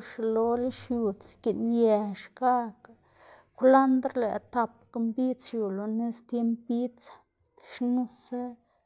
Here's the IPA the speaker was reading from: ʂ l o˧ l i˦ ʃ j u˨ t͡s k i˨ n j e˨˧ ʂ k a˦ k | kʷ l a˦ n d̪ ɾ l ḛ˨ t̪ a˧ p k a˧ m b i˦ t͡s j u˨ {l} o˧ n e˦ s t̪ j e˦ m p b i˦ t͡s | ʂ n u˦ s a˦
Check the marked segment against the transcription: correct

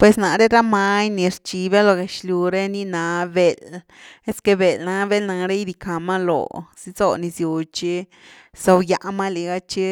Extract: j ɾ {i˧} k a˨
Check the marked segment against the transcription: correct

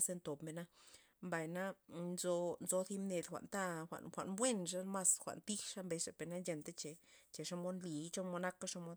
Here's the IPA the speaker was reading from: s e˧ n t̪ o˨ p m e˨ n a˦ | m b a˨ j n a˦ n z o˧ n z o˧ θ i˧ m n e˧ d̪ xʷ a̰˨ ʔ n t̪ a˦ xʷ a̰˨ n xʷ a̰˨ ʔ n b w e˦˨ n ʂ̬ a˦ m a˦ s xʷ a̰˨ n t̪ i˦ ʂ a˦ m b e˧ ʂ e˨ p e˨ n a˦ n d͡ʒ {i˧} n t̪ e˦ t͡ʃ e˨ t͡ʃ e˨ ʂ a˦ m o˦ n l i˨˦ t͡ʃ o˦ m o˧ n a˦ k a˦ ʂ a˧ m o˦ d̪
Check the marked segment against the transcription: incorrect: e˧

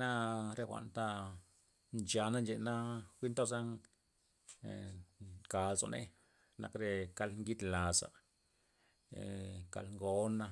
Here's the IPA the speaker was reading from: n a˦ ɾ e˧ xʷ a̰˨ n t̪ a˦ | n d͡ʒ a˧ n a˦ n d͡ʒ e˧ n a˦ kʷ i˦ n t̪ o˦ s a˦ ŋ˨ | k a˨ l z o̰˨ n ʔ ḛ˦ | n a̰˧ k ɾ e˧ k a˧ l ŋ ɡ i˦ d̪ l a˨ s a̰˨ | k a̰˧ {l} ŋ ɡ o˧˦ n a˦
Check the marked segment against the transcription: correct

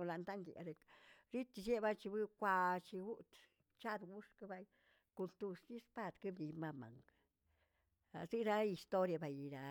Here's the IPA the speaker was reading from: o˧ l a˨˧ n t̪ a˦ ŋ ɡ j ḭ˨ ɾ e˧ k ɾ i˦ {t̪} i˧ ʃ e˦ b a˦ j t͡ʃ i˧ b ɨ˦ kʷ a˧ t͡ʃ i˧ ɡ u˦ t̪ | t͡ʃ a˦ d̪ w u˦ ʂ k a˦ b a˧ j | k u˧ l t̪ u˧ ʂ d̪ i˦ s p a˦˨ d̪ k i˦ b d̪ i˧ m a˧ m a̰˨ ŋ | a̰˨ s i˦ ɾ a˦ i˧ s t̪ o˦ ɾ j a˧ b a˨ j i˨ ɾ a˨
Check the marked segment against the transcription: correct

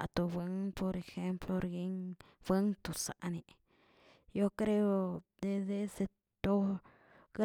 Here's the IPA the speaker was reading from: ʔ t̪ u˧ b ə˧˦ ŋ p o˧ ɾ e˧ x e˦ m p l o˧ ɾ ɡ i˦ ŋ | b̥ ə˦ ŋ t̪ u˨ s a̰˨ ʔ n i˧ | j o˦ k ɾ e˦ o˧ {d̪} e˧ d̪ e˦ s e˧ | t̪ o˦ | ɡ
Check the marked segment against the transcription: correct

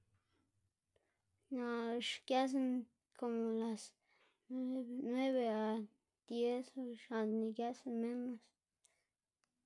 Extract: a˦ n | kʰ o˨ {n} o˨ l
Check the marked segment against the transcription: incorrect: m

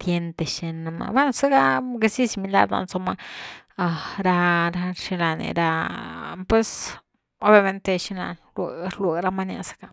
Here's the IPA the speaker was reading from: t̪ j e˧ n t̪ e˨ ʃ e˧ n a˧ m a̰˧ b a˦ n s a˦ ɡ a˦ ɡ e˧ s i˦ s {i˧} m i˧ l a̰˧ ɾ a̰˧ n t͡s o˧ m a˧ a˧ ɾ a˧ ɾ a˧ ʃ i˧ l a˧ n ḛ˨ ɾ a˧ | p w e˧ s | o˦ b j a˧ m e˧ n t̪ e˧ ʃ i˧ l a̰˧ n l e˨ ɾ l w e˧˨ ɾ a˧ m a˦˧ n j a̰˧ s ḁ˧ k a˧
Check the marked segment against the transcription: correct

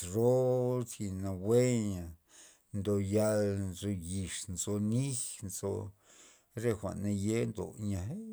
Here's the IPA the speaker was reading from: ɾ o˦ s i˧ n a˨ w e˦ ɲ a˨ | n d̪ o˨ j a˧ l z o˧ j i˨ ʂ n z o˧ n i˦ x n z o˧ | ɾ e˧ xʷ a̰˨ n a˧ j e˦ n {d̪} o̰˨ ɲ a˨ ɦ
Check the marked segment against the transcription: correct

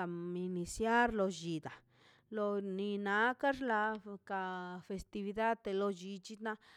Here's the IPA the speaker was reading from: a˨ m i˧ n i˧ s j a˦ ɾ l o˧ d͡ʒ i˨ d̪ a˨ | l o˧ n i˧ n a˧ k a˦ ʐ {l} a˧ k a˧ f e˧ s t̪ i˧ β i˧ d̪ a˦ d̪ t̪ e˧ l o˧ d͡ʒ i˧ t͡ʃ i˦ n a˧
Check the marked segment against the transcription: correct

